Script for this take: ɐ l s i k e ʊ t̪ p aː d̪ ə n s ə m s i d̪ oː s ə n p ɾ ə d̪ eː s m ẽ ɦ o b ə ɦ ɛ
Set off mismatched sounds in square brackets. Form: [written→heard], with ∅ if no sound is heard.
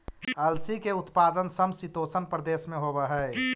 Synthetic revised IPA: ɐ l s i k e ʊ t̪ p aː d̪ ə n s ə m s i [d̪→t̪] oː s ə n p ɾ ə d̪ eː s m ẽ ɦ o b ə ɦ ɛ